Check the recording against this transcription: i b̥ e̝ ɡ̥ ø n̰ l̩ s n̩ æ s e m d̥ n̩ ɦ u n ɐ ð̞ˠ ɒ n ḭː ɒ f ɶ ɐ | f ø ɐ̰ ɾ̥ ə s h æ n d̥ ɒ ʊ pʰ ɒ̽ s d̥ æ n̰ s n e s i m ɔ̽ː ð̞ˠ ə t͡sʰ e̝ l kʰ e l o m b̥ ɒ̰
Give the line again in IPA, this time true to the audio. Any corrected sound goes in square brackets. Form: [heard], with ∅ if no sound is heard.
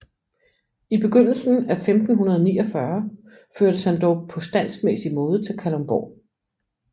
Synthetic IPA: i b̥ e̝ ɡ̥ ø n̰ l̩ s n̩ æ [f] e m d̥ n̩ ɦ u n ɐ ð̞ˠ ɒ n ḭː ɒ f ɶ ɐ | f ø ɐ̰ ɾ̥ ə s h æ n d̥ ɒ ʊ pʰ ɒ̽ s d̥ æ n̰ s [m] e s i m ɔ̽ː ð̞ˠ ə t͡sʰ e̝ l kʰ [æ] l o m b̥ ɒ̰